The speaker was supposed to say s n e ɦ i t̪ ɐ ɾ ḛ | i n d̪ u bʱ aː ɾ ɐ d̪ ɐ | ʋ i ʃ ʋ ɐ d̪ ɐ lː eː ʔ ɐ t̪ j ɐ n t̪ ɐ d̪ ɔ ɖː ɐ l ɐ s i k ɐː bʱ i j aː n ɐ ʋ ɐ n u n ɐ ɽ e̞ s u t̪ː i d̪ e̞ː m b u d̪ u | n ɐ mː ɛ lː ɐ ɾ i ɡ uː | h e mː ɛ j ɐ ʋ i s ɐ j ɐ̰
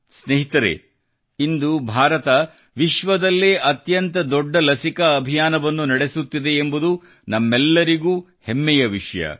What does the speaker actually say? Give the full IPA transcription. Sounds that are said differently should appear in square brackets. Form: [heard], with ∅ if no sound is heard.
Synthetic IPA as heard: s n e ɦ i t̪ ɐ ɾ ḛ | i n d̪ u bʱ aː ɾ ɐ [t̪] ɐ | ʋ i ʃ ʋ ɐ d̪ ɐ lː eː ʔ ɐ t̪ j ɐ n t̪ ɐ d̪ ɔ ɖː ɐ l ɐ s i k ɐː bʱ i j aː n ɐ ʋ ɐ [nː] u n ɐ ɽ e̞ s u t̪ː i d̪ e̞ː m b u d̪ u | n ɐ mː ɛ lː ɐ ɾ i ɡ uː | h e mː ɛ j ɐ ʋ i [ʂ] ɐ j ɐ̰